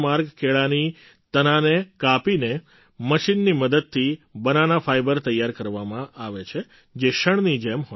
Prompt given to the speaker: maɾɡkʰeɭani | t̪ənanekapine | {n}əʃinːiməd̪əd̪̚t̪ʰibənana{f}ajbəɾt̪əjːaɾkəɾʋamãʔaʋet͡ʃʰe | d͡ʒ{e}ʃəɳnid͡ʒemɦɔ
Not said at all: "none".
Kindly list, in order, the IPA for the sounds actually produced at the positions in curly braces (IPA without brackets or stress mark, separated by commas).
m, f, e